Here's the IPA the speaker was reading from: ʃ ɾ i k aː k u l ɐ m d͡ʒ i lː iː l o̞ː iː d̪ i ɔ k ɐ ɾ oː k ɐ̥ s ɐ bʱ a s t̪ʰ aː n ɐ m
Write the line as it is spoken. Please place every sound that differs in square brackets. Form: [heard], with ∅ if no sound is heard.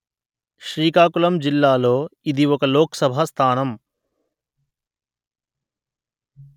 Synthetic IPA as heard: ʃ ɾ [iː] k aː k u l ɐ m d͡ʒ i lː [aː] l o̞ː [i] d̪ i ɔ k ɐ [l] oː k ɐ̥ s ɐ bʱ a s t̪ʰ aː n ɐ m